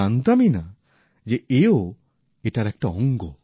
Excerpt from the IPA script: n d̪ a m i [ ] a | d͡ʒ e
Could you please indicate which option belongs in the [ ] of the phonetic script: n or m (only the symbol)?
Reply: n